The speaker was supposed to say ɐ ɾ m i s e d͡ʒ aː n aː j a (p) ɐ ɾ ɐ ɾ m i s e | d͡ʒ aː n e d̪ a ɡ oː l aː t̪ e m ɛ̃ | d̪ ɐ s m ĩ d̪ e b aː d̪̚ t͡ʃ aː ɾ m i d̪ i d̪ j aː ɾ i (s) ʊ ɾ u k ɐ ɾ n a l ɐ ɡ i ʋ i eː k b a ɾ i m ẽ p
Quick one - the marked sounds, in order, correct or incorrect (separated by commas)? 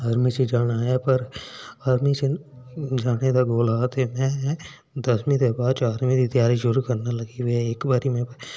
correct, incorrect